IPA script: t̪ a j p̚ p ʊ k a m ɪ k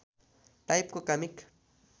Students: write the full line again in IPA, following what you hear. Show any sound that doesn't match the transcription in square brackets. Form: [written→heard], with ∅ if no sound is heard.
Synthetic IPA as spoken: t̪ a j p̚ [p→k] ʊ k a m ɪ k